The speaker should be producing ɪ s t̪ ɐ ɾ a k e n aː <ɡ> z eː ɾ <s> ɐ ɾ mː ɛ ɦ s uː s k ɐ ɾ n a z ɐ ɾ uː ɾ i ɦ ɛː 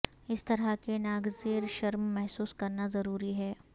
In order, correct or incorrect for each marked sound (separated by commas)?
correct, incorrect